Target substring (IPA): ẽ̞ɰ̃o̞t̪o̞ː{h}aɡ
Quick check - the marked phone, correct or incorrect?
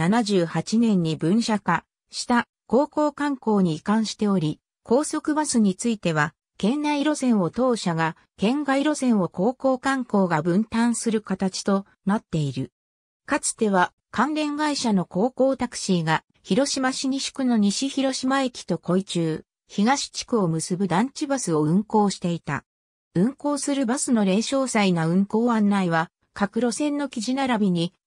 incorrect